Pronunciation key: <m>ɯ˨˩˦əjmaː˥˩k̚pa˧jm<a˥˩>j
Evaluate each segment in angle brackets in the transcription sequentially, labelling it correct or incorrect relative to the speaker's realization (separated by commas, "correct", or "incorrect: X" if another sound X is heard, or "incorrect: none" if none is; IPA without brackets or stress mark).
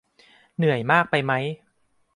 incorrect: n, incorrect: a˦˥